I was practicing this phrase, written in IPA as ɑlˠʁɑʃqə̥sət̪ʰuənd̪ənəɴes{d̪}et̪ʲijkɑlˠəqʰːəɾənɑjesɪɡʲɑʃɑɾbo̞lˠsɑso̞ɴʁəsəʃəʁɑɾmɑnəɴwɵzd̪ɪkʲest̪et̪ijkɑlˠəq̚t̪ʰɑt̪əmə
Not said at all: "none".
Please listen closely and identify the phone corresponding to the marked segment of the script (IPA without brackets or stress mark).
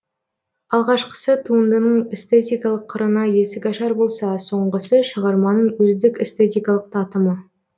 t̪